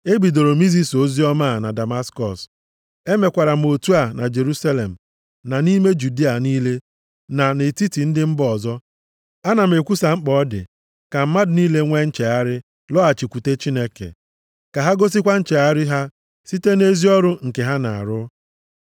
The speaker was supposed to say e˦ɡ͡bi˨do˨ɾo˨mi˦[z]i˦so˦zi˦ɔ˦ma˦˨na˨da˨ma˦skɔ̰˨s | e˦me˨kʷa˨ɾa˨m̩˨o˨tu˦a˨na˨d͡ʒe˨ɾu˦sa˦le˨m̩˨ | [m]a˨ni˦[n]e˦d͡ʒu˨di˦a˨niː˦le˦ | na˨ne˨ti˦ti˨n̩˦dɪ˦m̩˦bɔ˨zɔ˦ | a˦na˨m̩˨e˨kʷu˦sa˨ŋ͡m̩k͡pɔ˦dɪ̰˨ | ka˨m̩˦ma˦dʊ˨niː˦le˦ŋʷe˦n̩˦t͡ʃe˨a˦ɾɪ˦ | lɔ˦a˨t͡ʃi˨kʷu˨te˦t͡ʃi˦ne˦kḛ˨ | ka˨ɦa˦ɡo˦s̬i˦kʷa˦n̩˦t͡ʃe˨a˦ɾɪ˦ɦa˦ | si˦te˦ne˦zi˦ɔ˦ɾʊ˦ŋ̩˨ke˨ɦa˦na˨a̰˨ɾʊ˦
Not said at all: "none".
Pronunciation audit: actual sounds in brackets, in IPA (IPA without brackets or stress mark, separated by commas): z, n, m